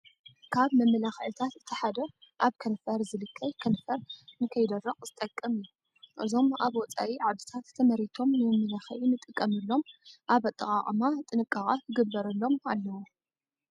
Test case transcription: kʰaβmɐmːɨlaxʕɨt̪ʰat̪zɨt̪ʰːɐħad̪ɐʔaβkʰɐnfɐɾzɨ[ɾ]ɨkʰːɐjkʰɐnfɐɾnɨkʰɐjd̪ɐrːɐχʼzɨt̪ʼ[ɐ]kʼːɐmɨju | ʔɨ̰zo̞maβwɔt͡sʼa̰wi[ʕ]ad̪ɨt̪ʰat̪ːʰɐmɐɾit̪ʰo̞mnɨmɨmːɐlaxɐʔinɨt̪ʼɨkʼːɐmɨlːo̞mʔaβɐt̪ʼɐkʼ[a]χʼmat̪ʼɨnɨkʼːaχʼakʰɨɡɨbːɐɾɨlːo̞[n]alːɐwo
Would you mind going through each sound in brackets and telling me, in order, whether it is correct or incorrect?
incorrect: l, correct, correct, correct, incorrect: m

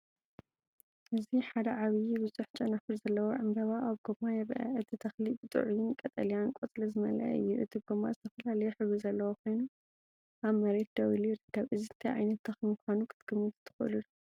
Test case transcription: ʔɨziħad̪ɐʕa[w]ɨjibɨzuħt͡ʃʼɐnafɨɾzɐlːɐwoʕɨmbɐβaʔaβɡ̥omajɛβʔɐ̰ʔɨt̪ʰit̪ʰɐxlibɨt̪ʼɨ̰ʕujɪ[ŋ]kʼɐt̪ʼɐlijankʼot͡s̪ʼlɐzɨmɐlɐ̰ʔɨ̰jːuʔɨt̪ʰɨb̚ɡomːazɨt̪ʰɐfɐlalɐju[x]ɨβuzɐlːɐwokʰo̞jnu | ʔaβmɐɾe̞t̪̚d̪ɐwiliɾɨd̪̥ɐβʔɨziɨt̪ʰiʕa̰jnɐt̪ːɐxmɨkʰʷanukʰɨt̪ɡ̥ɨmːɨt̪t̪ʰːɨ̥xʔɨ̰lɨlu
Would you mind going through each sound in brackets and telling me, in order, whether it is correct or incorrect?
incorrect: β, incorrect: n, incorrect: ħ

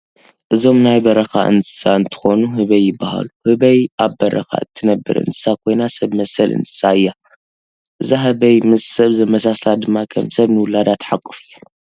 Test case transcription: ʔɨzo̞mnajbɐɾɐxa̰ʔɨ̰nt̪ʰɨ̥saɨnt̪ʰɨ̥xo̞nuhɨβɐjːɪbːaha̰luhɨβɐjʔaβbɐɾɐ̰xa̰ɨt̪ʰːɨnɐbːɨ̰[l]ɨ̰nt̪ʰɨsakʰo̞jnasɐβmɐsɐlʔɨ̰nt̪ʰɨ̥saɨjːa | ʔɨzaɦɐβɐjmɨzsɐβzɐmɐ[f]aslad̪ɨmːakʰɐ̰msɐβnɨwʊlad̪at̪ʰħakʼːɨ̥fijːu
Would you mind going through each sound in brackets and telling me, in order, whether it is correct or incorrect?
incorrect: ɾ, incorrect: s

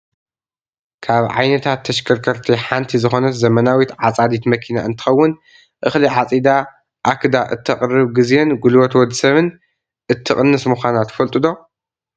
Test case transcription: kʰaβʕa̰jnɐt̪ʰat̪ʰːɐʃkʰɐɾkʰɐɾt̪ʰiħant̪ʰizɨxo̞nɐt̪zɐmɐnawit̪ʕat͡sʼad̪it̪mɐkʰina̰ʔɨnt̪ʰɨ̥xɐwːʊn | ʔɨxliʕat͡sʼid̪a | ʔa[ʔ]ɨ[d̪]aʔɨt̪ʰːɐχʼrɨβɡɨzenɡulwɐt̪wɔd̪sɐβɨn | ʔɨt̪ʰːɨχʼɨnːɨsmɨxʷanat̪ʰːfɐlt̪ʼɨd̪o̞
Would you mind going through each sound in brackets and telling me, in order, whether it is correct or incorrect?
incorrect: k, correct

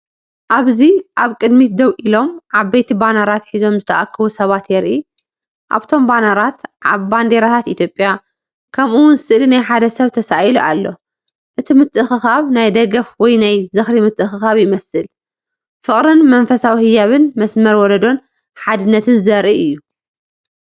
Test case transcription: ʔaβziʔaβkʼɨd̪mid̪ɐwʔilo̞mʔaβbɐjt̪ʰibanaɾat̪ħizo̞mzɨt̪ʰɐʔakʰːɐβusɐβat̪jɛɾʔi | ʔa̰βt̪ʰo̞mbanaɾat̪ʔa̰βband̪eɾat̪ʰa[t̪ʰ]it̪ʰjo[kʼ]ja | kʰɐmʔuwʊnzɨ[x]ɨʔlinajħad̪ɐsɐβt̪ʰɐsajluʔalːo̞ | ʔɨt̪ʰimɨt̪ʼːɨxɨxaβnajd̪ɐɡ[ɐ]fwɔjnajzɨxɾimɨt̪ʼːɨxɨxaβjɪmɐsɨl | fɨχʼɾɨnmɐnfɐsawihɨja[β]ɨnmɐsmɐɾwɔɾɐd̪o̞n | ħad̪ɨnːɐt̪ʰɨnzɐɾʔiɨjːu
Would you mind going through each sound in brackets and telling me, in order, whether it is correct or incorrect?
incorrect: t̪, incorrect: pʼ, incorrect: s, correct, correct

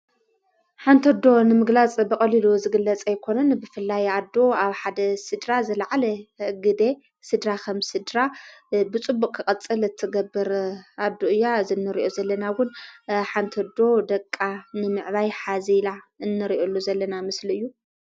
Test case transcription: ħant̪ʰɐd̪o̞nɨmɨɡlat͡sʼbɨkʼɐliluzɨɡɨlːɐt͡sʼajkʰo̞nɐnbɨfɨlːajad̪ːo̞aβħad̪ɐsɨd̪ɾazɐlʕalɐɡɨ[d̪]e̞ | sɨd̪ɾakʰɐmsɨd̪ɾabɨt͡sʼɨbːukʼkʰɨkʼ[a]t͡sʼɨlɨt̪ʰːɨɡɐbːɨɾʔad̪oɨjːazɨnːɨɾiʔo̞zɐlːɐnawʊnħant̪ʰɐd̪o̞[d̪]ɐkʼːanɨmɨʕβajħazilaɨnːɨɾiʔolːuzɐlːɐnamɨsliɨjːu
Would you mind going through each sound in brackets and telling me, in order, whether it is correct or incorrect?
correct, incorrect: ɐ, correct

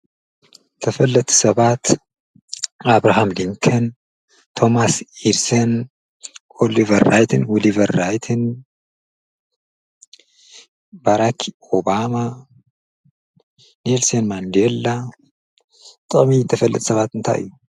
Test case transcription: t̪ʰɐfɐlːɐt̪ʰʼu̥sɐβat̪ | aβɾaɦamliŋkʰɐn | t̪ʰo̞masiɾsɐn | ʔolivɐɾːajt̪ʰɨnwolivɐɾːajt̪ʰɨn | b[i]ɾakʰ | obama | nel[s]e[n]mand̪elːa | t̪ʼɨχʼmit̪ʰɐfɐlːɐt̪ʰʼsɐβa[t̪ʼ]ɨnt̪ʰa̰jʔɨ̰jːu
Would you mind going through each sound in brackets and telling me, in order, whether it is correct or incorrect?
incorrect: a, correct, correct, incorrect: t̪

